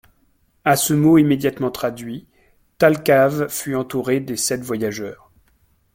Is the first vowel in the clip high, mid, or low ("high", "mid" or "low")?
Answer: low